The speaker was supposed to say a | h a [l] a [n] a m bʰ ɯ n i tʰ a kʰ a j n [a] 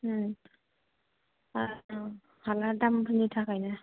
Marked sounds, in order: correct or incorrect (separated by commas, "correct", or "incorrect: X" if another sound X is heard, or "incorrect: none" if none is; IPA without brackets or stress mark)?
correct, incorrect: d, correct